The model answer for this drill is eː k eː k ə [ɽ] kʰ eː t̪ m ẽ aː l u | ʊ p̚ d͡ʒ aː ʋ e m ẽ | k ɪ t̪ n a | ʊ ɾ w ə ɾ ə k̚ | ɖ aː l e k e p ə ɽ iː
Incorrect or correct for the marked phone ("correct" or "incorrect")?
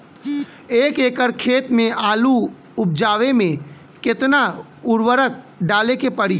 incorrect